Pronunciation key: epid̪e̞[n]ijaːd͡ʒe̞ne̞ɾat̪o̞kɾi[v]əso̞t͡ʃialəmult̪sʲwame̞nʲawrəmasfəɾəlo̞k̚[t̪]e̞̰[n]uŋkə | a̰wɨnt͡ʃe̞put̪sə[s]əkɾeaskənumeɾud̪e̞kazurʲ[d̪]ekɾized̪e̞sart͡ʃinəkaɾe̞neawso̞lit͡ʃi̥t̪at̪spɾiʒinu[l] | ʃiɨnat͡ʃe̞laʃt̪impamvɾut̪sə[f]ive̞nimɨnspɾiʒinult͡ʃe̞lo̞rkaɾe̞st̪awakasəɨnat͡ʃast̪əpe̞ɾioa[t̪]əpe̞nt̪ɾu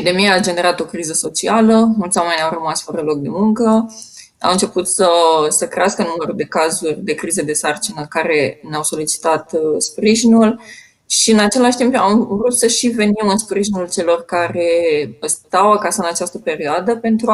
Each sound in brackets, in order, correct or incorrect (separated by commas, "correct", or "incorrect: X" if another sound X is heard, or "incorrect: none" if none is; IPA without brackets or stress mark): incorrect: m, incorrect: z, incorrect: d̪, incorrect: m, correct, correct, correct, incorrect: ʃ, incorrect: d̪